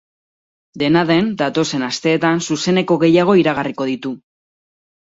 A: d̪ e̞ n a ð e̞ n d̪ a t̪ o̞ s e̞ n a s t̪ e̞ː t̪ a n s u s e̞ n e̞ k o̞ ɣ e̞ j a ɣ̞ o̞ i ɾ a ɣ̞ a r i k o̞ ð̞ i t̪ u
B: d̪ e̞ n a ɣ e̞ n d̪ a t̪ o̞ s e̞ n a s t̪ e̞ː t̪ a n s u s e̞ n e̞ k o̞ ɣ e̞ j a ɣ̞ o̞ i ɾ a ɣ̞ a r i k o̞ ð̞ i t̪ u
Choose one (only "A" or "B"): A